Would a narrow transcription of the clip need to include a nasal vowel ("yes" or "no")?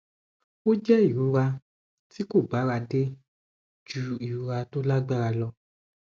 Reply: no